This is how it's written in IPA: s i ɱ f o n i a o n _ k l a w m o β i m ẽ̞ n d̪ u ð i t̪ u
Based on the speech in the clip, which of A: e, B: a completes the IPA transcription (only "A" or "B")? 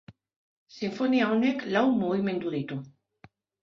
A